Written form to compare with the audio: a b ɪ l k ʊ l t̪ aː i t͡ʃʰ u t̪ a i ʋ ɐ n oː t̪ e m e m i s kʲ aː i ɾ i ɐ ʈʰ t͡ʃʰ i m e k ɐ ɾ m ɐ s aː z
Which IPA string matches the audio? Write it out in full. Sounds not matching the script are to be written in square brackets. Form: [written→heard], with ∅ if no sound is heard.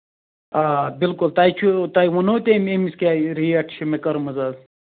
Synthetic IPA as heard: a b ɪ l k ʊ l t̪ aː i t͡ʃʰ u t̪ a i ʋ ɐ n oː t̪ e m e m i s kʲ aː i ɾ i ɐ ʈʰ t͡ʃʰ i m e k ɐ ɾ m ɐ [s→z] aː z